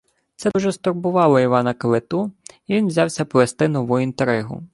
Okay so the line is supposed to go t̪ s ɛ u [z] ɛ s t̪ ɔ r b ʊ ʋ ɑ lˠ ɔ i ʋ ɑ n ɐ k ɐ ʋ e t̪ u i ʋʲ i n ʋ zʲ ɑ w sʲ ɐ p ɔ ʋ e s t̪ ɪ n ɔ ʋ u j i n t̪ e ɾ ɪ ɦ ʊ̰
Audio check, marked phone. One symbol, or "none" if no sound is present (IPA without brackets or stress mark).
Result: ʒ